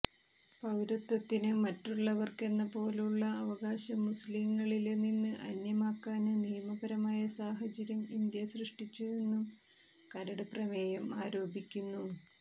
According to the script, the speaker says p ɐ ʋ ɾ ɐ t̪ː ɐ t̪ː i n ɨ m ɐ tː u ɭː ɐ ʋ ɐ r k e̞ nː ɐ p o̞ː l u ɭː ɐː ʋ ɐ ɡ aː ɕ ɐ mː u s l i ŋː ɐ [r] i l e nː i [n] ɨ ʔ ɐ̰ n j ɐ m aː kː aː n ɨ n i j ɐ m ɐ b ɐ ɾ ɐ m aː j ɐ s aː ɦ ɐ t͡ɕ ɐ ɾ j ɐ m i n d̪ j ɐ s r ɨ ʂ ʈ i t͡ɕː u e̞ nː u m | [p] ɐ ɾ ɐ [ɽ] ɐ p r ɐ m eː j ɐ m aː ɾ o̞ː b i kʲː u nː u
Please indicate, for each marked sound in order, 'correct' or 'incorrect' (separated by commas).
incorrect, incorrect, incorrect, correct